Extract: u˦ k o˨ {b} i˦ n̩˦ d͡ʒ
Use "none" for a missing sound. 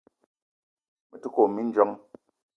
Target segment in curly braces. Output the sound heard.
m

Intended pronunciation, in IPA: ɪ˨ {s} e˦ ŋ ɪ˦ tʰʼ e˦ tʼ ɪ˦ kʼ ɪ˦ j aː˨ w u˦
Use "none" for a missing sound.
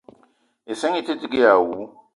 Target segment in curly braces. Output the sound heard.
s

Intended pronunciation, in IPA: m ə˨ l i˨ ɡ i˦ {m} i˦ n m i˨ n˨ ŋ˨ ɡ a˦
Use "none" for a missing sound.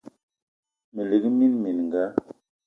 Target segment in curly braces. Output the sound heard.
m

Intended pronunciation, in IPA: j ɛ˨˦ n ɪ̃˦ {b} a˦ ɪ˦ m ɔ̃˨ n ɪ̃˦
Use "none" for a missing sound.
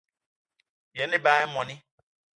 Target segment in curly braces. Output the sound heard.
b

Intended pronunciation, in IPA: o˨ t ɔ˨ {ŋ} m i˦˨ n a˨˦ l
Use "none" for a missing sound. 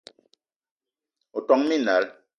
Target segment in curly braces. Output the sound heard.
ŋ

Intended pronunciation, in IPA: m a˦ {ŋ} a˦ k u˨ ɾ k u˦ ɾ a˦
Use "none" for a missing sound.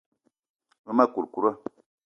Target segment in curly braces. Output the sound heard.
m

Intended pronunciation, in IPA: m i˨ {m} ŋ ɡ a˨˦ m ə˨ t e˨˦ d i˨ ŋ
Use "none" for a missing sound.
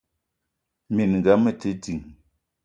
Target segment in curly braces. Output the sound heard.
n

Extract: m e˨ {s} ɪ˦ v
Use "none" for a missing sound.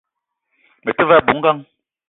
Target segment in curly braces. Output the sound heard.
t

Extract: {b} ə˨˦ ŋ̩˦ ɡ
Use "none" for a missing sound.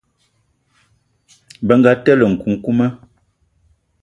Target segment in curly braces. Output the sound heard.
b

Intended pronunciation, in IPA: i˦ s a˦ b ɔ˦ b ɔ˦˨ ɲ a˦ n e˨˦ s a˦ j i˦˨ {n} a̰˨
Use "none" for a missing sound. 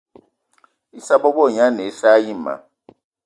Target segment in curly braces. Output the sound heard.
m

